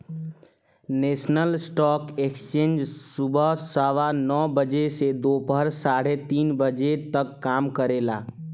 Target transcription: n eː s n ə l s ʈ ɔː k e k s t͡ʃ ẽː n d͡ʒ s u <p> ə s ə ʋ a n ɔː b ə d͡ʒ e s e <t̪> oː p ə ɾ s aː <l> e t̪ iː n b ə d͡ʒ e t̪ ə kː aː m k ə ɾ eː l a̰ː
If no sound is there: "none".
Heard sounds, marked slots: b, d̪, ɽ

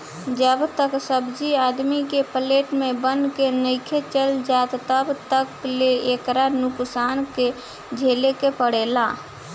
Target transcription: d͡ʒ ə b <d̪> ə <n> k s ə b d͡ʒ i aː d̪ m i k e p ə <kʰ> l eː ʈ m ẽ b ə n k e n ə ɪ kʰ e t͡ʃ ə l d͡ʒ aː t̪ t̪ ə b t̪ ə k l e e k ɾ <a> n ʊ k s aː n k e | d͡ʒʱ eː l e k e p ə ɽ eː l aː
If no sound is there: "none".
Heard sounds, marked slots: t̪, none, none, a

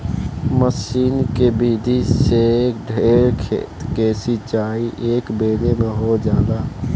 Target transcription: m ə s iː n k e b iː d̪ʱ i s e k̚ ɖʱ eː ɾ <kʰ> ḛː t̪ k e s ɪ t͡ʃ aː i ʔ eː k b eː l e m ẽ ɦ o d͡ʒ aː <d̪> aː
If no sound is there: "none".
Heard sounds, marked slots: kʰ, d̪

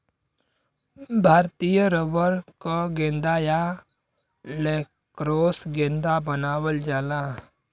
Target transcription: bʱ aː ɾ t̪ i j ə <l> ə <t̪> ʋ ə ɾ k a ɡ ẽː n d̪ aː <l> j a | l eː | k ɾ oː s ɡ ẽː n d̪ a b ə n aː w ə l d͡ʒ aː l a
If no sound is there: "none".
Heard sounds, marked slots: ɾ, none, none

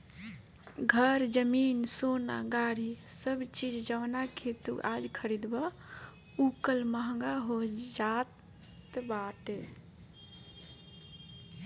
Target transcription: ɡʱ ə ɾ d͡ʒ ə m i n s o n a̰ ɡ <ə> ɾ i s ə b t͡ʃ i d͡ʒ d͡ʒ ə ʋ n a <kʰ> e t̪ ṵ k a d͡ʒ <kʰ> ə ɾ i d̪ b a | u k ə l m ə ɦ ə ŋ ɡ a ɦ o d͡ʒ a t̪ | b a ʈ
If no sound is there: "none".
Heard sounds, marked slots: a, kʰ, kʰ

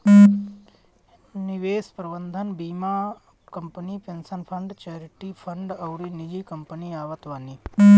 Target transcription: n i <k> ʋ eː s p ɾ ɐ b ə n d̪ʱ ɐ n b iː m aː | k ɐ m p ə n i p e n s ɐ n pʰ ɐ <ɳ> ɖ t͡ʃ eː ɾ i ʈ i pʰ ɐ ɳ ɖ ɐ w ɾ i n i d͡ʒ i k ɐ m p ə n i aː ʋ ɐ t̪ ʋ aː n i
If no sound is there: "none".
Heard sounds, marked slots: none, ɳ

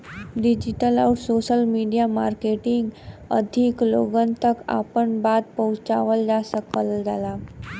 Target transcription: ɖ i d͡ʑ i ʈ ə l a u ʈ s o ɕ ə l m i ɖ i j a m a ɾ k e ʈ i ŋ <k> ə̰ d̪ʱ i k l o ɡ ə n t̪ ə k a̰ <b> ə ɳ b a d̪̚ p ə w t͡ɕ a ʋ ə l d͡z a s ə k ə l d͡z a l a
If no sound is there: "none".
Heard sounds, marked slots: ɡ, p

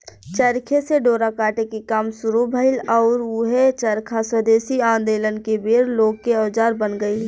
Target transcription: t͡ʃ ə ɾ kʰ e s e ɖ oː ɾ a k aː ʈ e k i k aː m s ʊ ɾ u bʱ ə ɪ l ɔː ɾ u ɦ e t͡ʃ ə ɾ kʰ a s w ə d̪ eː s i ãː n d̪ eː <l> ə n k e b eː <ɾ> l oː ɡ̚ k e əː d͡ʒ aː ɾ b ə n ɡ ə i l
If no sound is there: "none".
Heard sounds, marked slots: l, ɾ

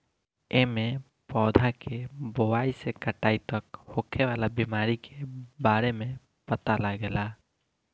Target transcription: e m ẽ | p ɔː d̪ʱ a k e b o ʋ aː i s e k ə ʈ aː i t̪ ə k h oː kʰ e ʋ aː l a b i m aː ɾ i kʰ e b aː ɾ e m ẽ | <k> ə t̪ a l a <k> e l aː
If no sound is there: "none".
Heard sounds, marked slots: p, ɡ

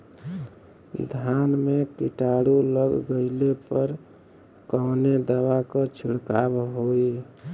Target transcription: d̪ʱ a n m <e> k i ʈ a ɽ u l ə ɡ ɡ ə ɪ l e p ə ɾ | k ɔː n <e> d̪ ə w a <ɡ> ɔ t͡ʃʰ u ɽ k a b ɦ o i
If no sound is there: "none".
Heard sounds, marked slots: e, e, k

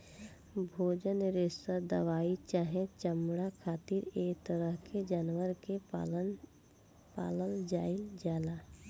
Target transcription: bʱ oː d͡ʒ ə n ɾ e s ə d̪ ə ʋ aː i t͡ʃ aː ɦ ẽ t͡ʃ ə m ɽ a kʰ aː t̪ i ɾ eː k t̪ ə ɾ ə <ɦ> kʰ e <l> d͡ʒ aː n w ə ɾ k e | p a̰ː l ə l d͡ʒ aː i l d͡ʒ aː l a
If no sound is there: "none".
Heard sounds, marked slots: ɦ, none

